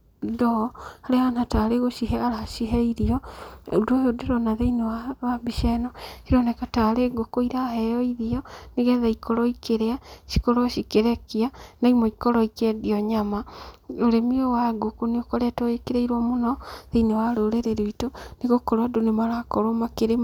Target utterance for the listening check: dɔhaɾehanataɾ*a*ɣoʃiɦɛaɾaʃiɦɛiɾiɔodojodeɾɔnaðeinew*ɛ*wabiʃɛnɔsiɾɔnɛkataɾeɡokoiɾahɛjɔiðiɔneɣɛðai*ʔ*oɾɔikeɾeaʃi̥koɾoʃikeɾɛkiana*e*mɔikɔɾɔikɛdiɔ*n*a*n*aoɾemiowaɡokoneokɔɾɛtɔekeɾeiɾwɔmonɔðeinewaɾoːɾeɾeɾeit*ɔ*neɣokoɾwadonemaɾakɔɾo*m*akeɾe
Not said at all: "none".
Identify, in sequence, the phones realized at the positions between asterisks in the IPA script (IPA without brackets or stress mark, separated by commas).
e, a, k, i, ɲ, m, o, m